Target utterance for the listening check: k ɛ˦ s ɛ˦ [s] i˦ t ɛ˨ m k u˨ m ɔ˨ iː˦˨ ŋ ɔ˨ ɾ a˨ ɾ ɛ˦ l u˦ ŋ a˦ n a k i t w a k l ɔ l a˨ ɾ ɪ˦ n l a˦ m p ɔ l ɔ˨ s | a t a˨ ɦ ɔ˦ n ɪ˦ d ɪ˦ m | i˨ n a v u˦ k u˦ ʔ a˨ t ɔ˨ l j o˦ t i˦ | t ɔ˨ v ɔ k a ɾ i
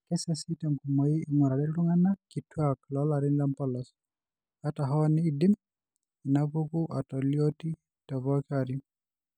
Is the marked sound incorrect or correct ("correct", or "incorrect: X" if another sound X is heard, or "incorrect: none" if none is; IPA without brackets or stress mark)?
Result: correct